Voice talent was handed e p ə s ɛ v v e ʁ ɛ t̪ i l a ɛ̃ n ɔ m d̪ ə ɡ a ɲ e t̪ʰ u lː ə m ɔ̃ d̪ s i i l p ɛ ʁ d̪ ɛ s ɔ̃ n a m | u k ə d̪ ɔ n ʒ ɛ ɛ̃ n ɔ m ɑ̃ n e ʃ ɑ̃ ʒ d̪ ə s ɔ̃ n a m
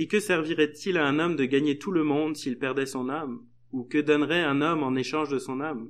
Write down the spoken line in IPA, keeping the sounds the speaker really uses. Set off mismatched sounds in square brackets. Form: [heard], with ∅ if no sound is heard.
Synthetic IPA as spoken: e [k] ə s ɛ [ʁ] v [i] ʁ ɛ t̪ i l a ɛ̃ n ɔ m d̪ ə ɡ a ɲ e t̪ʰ u [l] ə m ɔ̃ d̪ s i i l p ɛ ʁ d̪ ɛ s ɔ̃ n a m | u k ə d̪ ɔ n [ʁ] ɛ ɛ̃ n ɔ m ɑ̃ n e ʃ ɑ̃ ʒ d̪ ə s ɔ̃ n a m